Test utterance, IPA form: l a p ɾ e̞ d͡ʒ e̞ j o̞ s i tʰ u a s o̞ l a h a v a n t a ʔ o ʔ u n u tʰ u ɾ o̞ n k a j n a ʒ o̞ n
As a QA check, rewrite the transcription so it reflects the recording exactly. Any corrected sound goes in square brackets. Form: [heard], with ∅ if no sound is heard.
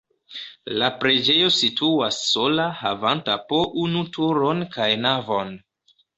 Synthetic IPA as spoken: l a p ɾ e̞ d͡ʒ e̞ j o̞ s i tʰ u a [sː] o̞ l a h a v a n t a [p] o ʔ u n u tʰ u ɾ o̞ n k a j n a [v] o̞ n